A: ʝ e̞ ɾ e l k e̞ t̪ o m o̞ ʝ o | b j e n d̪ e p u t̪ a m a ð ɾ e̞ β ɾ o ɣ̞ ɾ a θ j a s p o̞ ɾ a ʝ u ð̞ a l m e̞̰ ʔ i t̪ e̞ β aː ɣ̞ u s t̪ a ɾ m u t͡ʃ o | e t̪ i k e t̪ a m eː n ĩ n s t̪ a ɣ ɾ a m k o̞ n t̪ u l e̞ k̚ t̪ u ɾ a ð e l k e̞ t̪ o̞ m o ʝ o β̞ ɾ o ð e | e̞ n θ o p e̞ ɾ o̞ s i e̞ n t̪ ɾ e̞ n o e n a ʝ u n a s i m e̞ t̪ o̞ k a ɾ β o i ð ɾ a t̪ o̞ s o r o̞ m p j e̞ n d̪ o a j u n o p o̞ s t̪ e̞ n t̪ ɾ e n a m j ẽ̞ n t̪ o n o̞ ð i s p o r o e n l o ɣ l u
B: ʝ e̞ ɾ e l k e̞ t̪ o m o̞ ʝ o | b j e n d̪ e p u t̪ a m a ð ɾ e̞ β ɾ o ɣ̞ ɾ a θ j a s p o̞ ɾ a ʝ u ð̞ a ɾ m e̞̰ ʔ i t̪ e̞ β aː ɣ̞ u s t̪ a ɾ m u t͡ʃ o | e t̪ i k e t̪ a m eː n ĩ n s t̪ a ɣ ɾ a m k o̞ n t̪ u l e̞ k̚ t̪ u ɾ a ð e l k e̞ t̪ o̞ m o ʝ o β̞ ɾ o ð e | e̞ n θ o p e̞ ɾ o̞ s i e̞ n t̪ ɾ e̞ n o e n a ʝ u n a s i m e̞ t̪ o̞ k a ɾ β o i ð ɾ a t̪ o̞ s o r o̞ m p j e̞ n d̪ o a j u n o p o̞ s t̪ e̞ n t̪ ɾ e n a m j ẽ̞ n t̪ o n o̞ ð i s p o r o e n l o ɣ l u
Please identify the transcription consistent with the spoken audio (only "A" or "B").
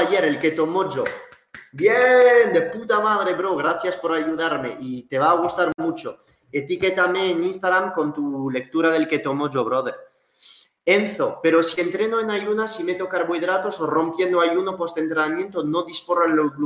B